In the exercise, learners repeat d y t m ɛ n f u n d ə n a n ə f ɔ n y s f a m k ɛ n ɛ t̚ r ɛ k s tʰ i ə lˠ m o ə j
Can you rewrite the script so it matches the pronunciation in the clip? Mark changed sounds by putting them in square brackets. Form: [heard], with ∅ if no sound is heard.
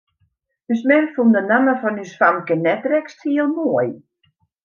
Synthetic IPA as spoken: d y [s] m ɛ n f u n d ə n a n ə f ɔ n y s f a m k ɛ n ɛ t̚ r ɛ k s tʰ i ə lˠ m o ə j